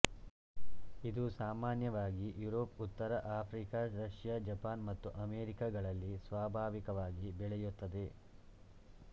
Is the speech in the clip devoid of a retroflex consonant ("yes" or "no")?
no